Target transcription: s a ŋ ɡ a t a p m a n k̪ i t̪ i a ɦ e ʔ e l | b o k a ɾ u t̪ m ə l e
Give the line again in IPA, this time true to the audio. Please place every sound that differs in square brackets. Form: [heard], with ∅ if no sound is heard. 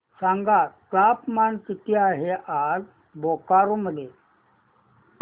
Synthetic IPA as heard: s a ŋ ɡ a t a p m a n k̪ i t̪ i a ɦ e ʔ [a] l | b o k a ɾ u [∅] m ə l e